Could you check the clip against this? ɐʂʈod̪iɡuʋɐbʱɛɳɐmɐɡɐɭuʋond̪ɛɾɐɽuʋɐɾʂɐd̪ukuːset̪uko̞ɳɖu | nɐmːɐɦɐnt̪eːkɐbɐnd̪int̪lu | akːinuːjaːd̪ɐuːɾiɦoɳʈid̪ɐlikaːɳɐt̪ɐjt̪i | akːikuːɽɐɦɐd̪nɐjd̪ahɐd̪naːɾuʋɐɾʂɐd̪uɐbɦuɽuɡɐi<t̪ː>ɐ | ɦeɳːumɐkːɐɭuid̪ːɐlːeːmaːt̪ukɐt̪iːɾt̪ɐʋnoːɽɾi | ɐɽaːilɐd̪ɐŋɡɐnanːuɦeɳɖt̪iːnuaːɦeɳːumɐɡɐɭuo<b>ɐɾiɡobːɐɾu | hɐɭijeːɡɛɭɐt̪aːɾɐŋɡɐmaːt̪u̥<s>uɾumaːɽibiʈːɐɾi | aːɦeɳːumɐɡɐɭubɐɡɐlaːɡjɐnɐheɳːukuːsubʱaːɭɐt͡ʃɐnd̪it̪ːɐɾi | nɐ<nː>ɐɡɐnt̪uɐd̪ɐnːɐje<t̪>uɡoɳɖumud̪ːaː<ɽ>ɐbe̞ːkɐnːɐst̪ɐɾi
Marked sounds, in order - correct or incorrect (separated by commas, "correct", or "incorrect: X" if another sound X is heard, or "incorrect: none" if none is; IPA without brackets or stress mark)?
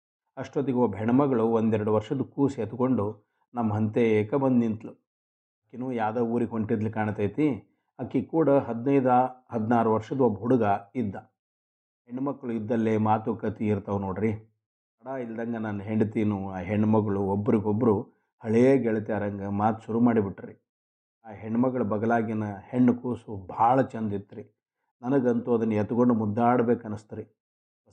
incorrect: d̪ː, incorrect: bː, incorrect: ʃ, incorrect: n, correct, correct